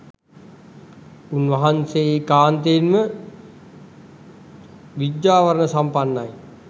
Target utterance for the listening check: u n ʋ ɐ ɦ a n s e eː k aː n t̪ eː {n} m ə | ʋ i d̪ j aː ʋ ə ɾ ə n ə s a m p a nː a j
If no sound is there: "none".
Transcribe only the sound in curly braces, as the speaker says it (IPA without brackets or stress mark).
n